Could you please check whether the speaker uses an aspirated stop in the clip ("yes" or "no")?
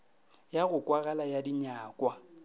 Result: no